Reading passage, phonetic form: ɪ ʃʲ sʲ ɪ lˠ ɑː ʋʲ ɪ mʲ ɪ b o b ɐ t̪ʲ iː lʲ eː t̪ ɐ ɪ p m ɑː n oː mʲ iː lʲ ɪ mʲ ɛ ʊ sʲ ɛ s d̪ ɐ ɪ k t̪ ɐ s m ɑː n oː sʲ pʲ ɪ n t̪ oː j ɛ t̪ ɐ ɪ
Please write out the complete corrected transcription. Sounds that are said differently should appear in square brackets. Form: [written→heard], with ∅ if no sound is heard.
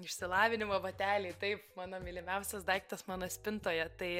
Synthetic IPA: ɪ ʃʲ sʲ ɪ lˠ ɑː ʋʲ ɪ [mʲ→nʲ] ɪ [b→m] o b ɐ t̪ʲ [iː→æː] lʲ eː t̪ ɐ ɪ p m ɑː n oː mʲ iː lʲ ɪ mʲ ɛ ʊ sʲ ɛ s d̪ ɐ ɪ k t̪ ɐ s m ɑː n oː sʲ pʲ ɪ n t̪ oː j ɛ t̪ ɐ ɪ